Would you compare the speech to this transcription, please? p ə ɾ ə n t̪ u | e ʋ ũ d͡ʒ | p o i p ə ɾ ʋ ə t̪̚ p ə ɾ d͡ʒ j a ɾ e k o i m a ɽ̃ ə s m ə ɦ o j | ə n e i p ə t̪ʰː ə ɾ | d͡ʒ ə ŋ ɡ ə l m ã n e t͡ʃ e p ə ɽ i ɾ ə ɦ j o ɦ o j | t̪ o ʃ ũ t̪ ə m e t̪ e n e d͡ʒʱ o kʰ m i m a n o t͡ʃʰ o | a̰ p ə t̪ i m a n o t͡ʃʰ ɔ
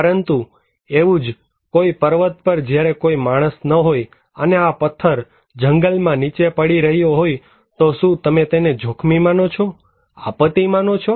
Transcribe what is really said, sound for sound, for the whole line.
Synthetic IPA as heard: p ə ɾ ə n t̪ u | e ʋ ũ d͡ʒ | k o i p ə ɾ ʋ ə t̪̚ p ə ɾ d͡ʒ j a ɾ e k o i m a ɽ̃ ə s n ə ɦ o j | ə n e a p ə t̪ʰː ə ɾ | d͡ʒ ə ŋ ɡ ə l m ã n i t͡ʃ e p ə ɽ i ɾ ə ɦ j o ɦ o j | t̪ o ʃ ũ t̪ ə m e t̪ e n e d͡ʒʱ o kʰ m i m a n o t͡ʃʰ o | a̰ p ə t̪ i m a n o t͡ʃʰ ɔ